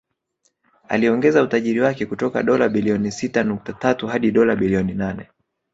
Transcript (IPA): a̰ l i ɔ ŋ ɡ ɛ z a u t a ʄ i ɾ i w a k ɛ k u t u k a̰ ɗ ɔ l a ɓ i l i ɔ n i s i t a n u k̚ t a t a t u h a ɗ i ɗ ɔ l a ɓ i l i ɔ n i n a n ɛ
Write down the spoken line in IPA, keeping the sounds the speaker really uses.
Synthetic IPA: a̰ l i ɔ ŋ ɡ ɛ z a u t a ʄ i ɾ i w a k ɛ k u t ɔ k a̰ ɗ ɔ l a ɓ i l i ɔ n i s i t a n u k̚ t a t a t u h a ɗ i ɗ ɔ l a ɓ i l i ɔ n i n a n ɛ